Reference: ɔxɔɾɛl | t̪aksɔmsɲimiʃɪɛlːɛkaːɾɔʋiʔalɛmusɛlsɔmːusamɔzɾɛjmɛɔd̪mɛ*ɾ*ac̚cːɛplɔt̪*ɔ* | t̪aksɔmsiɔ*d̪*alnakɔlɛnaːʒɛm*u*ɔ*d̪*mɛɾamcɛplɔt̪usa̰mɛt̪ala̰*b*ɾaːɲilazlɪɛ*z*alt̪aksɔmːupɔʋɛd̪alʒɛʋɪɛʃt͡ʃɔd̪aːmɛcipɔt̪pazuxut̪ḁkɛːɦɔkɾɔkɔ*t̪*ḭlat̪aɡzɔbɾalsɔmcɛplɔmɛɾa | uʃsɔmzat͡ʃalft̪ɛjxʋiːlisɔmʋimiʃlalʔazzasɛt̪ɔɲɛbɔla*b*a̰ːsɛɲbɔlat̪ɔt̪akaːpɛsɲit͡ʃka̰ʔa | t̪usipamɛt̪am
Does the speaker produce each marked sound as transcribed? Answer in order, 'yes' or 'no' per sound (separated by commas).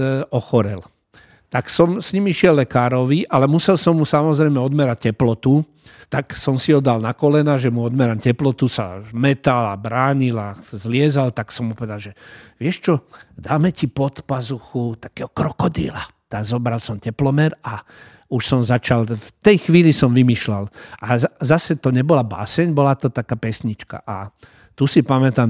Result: yes, no, yes, yes, yes, yes, yes, no, yes